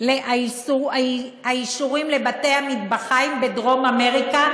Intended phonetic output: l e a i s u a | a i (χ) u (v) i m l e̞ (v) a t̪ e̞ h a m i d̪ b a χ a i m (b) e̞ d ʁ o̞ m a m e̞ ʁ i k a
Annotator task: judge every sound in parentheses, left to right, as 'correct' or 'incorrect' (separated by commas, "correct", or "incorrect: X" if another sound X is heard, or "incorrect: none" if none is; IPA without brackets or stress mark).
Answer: incorrect: ʃ, incorrect: ʁ, incorrect: b, correct